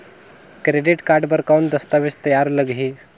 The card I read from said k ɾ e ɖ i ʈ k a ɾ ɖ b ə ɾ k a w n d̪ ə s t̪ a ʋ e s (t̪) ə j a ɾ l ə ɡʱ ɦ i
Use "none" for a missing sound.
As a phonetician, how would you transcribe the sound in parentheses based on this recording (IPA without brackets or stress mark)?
t̪